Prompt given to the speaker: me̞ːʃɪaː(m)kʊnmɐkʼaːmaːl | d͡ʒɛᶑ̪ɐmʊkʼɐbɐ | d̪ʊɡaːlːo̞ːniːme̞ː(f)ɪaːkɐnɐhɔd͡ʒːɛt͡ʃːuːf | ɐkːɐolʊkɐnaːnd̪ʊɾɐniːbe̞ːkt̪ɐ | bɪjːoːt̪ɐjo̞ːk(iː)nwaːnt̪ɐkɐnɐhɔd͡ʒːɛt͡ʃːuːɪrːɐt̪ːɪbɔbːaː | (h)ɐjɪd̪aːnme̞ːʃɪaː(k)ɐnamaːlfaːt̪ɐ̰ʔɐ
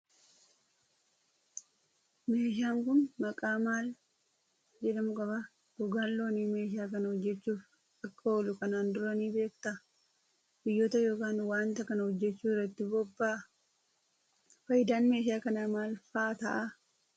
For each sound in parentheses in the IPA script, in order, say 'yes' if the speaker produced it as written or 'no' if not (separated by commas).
no, no, no, no, yes